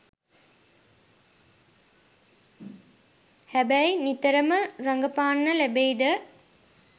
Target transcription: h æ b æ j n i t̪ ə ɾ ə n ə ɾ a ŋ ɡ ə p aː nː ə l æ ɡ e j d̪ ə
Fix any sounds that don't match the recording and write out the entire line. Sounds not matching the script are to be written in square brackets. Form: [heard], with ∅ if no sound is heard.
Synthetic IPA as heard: h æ b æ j n i t̪ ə ɾ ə [m] ə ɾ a ŋ ɡ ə p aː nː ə l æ [b] e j d̪ ə